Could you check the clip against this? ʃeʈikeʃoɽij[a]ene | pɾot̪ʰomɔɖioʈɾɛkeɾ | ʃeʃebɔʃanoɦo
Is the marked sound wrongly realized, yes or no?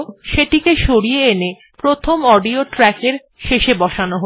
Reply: yes